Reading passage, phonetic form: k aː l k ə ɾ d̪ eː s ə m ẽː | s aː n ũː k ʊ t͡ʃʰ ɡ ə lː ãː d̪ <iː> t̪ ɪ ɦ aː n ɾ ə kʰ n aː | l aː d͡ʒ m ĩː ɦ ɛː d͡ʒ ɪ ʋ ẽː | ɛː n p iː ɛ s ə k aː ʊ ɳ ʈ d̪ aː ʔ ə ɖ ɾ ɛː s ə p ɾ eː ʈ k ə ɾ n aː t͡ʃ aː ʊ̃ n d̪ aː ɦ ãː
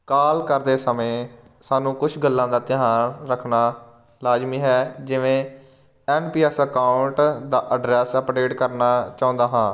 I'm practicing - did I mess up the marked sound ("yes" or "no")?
yes